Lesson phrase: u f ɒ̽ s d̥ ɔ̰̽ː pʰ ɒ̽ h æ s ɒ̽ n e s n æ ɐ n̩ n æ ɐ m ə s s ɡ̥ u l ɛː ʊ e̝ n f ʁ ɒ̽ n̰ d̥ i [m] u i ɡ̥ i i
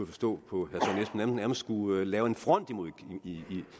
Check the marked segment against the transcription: correct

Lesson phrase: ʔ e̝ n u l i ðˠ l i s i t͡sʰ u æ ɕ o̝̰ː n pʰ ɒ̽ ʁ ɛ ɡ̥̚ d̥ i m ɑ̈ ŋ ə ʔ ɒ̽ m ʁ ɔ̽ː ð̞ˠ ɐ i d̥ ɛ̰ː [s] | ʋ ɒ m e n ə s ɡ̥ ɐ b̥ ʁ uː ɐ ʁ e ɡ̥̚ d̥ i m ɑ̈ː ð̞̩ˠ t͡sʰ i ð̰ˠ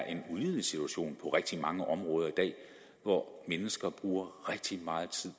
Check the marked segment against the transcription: incorrect: none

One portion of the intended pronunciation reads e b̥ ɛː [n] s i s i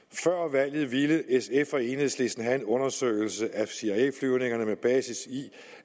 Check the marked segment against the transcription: incorrect: none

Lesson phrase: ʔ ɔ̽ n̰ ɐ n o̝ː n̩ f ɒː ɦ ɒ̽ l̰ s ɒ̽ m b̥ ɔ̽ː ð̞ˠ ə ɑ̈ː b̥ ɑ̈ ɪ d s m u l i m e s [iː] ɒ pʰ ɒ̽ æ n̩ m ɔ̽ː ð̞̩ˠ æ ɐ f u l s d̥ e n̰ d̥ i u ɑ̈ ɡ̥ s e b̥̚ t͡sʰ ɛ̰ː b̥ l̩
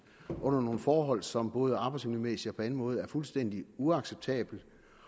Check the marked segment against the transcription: incorrect: i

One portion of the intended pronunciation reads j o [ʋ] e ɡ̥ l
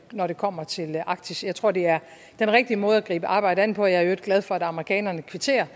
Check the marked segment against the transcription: incorrect: none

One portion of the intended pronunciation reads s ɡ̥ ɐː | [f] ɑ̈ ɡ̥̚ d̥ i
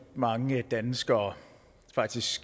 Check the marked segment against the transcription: correct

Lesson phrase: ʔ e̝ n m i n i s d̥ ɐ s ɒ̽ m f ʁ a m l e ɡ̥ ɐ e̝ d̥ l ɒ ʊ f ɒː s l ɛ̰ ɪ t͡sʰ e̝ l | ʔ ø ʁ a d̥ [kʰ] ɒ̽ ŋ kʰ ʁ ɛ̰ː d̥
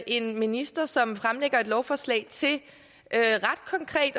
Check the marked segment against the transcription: correct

